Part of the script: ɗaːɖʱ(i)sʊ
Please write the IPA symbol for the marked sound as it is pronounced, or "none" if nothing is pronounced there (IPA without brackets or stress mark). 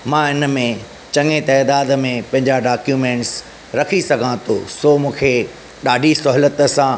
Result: i